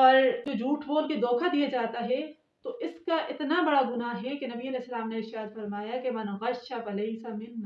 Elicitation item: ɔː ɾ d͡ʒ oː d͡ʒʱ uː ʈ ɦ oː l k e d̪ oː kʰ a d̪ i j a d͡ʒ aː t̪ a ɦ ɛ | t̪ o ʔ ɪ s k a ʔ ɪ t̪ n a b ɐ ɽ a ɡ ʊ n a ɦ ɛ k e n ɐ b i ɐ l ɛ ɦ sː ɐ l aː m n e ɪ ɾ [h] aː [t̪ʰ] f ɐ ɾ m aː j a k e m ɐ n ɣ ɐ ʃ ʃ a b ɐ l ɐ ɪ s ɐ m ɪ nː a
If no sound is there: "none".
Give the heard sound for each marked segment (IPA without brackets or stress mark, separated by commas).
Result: ʃ, t̪